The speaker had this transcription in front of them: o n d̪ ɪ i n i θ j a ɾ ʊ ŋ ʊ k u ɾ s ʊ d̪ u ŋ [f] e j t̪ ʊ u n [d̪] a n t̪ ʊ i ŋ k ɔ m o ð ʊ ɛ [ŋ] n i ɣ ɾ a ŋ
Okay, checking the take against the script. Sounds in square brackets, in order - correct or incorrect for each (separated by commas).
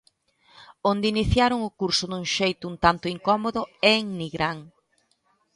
incorrect, incorrect, correct